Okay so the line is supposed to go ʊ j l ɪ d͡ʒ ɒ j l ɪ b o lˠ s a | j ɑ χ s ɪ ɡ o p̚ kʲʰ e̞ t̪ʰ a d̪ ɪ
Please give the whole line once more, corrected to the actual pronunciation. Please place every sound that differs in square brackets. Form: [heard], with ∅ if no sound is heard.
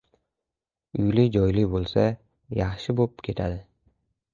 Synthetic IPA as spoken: ʊ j l ɪ d͡ʒ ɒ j l ɪ b o lˠ s a | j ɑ χ [ʃ] ɪ [b] o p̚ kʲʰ e̞ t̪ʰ a d̪ ɪ